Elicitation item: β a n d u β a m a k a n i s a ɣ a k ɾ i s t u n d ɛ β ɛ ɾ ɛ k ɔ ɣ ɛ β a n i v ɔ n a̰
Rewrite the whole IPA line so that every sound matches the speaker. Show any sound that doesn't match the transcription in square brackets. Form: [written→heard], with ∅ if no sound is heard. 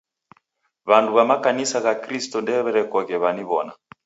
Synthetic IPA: β a n d u β a m a k a n i s a ɣ a k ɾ i s t [u→ɔ] n d ɛ β ɛ ɾ ɛ k ɔ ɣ ɛ β a n i [v→β] ɔ n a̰